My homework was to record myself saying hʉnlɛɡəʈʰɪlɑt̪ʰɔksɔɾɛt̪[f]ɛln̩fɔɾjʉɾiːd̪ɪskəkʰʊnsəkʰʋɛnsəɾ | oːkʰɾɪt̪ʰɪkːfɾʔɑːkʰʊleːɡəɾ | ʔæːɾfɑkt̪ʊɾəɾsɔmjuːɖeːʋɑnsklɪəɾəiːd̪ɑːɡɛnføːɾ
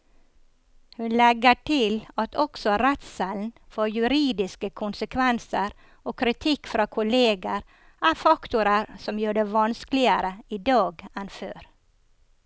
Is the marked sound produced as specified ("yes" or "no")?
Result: no